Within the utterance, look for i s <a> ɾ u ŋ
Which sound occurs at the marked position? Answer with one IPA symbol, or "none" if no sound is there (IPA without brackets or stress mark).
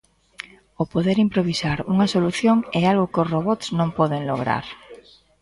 a